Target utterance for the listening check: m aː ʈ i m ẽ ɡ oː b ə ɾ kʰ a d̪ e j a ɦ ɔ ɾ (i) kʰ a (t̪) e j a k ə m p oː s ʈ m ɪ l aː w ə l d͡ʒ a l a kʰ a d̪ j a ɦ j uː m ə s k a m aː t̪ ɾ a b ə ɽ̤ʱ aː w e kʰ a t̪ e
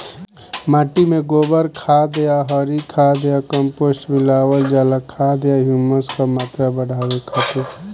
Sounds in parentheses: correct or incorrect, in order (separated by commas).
correct, incorrect